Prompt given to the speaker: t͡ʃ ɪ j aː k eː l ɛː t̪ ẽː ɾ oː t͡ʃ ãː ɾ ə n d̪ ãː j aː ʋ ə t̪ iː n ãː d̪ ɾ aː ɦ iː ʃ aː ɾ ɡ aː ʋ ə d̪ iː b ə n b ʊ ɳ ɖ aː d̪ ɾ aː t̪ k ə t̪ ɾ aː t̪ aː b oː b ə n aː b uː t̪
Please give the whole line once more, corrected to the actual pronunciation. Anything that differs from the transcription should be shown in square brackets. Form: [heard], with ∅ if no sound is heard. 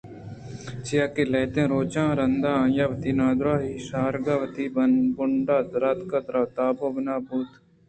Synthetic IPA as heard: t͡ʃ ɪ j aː k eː l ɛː t̪ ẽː ɾ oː t͡ʃ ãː ɾ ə n d̪ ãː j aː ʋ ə t̪ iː n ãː d̪ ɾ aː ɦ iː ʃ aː ɾ ɡ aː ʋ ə [t̪] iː b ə n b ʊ ɳ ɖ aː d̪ ɾ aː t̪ k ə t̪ ɾ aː t̪ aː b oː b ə n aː b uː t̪